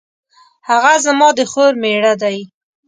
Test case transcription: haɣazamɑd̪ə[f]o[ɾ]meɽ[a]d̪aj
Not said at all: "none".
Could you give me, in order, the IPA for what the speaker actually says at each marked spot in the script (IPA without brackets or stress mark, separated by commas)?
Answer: x, ɾ, a